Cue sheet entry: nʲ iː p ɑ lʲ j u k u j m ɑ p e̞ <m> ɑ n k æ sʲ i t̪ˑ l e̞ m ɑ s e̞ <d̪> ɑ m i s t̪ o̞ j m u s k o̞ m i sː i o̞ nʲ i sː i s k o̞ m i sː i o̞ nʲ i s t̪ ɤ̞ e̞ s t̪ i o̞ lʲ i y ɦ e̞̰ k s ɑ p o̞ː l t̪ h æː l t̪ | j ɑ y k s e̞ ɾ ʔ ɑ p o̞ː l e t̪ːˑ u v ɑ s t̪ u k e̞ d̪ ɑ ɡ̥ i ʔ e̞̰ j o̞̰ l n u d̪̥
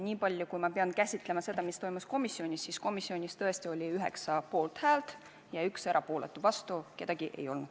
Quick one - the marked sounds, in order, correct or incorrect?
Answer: incorrect, correct

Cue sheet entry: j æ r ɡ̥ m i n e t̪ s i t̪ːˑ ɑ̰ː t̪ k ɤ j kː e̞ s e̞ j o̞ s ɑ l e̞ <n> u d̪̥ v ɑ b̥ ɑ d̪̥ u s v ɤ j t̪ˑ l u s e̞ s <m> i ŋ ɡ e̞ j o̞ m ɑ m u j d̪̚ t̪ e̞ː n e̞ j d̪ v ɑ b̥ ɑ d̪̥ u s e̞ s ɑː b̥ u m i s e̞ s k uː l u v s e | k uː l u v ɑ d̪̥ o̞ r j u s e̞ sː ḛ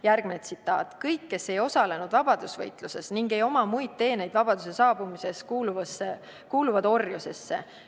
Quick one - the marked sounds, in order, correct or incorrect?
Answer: correct, incorrect

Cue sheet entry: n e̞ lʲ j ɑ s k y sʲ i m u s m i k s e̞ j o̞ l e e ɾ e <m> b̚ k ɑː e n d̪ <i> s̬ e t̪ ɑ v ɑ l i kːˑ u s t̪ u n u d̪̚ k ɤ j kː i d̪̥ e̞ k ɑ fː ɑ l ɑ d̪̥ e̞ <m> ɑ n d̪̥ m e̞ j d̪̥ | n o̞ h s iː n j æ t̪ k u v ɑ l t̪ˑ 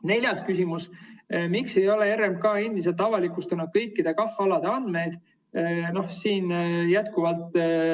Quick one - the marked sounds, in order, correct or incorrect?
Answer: correct, correct, incorrect

